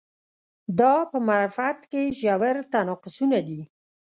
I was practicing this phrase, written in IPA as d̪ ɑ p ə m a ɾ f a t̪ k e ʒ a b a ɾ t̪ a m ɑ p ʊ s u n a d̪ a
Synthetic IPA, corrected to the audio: d̪ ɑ p ə m a ɾ f a t̪ k e ʒ a w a ɾ t̪ a n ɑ q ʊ s u n a d̪ i